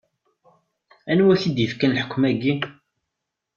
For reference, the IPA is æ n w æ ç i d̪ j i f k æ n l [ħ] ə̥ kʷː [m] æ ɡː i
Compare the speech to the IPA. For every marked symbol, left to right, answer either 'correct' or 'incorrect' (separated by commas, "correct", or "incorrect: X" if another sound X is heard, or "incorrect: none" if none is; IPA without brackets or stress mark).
correct, correct